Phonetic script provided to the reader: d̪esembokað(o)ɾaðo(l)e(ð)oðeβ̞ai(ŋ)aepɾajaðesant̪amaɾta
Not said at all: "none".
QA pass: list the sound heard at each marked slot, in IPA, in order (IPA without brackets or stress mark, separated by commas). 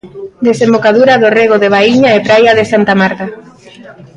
u, r, ɣ, ɲ